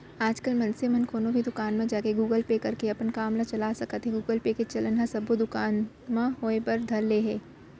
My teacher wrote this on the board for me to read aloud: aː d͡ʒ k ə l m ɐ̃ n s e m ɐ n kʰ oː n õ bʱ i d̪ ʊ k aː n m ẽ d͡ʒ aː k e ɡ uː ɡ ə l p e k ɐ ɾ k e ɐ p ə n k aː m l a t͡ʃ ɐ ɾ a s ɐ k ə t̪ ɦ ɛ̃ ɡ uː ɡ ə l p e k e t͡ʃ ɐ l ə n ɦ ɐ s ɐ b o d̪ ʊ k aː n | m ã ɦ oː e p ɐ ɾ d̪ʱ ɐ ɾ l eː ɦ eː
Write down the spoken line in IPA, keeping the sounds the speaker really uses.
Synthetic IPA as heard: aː d͡ʒ k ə l m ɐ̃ n s e m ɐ n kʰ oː n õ bʱ i d̪ ʊ k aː n m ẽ d͡ʒ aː k e ɡ uː ɡ ə l p e k ɐ ɾ k e ɐ p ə n k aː m l a t͡ʃ ɐ l a s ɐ k ə t̪ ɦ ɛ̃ ɡ uː ɡ ə l p e k e t͡ʃ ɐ l ə n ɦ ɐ s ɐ b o d̪ ʊ k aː n | m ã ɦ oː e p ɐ ɾ d̪ʱ ɐ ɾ l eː ɦ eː